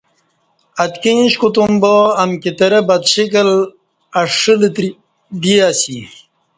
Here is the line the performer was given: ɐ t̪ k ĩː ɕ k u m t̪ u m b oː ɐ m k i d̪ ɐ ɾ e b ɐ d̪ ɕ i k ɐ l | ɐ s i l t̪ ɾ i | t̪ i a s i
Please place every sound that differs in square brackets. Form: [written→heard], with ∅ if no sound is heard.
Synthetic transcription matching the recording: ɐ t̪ k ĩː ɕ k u [m→∅] t̪ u m b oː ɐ m k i [d̪→t̪] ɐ ɾ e b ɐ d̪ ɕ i k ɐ l | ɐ [s→ʂ] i l t̪ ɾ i | [t̪→d̪] i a s i